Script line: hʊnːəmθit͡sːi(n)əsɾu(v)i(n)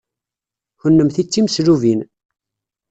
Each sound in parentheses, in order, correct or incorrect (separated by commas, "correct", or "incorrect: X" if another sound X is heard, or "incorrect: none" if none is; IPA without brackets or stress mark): incorrect: m, correct, correct